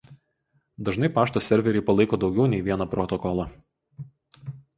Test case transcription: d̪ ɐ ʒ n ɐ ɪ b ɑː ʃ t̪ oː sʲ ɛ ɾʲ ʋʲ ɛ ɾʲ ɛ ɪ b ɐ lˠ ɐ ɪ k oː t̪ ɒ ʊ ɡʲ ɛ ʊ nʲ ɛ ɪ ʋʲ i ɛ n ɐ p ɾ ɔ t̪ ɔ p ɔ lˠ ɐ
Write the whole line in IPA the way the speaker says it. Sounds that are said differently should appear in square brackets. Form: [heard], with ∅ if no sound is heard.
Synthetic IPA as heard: d̪ ɐ ʒ n ɐ ɪ [p] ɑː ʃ t̪ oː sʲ ɛ ɾʲ ʋʲ ɛ ɾʲ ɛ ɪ [p] ɐ lˠ ɐ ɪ k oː [d̪] ɒ ʊ ɡʲ ɛ ʊ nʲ ɛ ɪ ʋʲ i ɛ n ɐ p ɾ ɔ t̪ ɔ [k] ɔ lˠ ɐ